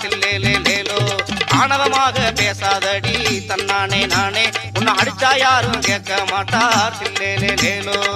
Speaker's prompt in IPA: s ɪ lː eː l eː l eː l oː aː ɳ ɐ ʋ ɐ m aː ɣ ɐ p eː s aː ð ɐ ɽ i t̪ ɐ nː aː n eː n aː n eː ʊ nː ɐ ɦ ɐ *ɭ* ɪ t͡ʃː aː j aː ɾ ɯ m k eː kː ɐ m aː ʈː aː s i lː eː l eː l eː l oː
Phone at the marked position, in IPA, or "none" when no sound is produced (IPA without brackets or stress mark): ɽ